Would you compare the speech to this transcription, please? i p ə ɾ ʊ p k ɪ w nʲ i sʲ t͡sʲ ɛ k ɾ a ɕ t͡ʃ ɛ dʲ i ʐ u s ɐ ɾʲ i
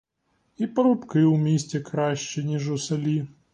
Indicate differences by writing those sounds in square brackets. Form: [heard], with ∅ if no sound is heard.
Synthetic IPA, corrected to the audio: i p [ɐ] ɾ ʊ p k ɪ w [mʲ] i sʲ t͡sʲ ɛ k ɾ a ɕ t͡ʃ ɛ [nʲ] i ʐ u s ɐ [lʲ] i